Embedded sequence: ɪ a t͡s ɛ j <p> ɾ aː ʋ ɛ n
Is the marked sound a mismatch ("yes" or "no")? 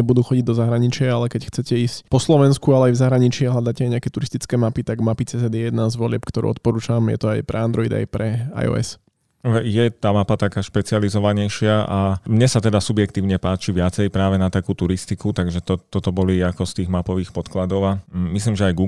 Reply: no